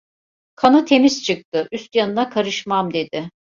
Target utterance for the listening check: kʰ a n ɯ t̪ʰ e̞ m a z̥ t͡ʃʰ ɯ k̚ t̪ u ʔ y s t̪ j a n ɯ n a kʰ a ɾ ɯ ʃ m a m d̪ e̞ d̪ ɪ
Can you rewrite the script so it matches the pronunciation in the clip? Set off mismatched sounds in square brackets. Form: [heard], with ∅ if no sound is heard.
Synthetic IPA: kʰ a n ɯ t̪ʰ e̞ m [i] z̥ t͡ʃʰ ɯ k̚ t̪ [ɯ] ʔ y s t̪ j a n ɯ n a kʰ a ɾ ɯ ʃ m a m d̪ e̞ d̪ ɪ